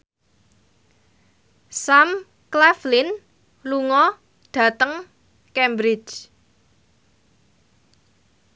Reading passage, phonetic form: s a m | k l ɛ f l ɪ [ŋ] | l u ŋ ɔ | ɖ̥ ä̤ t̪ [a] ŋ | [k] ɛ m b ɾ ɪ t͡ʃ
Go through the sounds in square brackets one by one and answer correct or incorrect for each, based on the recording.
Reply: incorrect: n, incorrect: ə, correct

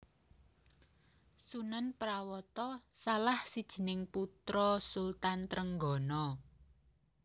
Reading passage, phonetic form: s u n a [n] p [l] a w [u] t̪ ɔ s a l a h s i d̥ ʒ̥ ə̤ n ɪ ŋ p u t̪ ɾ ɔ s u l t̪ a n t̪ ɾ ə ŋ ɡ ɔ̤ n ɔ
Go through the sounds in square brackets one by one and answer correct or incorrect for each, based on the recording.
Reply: correct, incorrect: ɾ, incorrect: ɔ

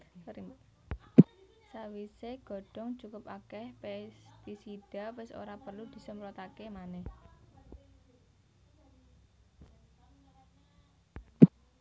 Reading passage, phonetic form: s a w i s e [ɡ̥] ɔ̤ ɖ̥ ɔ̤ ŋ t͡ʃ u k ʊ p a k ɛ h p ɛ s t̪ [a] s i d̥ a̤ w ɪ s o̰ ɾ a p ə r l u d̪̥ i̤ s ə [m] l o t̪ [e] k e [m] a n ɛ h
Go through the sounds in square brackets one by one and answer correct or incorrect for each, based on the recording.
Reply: correct, incorrect: i, correct, incorrect: a, correct

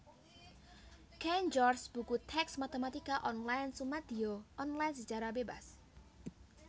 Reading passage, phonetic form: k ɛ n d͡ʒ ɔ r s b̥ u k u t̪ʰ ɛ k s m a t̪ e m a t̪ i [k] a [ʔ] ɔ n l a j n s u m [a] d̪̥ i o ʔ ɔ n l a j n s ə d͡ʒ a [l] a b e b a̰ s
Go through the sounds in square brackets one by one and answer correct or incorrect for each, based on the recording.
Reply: correct, correct, correct, incorrect: ɾ

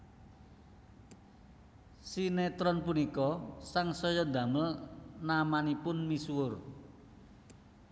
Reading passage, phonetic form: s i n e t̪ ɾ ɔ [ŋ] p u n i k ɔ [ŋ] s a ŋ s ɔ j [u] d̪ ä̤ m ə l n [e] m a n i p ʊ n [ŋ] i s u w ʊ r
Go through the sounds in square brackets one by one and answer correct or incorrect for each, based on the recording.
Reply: incorrect: n, incorrect: none, incorrect: ɔ, incorrect: a, incorrect: m

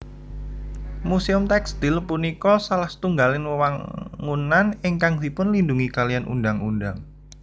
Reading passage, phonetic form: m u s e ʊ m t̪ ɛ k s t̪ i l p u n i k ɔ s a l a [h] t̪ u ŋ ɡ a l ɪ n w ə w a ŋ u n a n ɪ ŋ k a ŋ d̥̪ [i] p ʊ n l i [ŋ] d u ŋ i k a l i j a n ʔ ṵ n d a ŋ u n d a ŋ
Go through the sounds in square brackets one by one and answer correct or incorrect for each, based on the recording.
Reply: correct, correct, incorrect: n

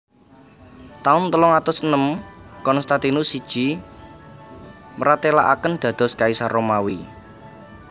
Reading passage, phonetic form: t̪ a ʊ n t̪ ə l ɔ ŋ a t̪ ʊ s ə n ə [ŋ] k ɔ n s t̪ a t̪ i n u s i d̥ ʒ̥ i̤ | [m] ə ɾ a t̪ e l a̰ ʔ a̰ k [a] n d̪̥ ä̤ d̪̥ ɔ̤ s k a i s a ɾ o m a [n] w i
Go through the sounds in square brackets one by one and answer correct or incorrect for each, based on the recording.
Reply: incorrect: m, correct, incorrect: ə, incorrect: none

